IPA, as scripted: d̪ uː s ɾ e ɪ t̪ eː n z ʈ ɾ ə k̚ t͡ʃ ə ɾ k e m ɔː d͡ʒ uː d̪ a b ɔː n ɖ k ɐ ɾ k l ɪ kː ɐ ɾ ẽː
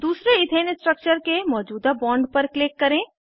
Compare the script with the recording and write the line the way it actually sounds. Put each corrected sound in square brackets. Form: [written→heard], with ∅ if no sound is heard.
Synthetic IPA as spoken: d̪ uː s ɾ e ɪ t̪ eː n [z→s] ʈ ɾ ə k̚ t͡ʃ ə ɾ k e m ɔː d͡ʒ uː d̪ a b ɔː [n→ɳ] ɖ [k→p] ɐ ɾ k l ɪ kː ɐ ɾ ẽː